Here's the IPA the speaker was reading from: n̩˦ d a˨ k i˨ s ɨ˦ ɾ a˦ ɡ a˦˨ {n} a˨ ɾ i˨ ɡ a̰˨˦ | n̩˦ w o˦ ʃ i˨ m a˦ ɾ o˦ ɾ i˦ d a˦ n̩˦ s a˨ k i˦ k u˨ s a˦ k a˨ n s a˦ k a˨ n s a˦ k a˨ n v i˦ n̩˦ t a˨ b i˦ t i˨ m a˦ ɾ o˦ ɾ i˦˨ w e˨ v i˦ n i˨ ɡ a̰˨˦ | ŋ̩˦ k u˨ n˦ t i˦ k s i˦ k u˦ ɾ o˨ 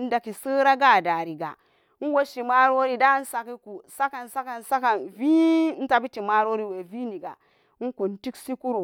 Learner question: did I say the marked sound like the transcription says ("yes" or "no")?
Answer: no